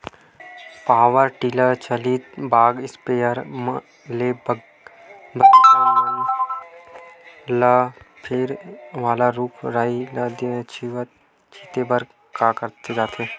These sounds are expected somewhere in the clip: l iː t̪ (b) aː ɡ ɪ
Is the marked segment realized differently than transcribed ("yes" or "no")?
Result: no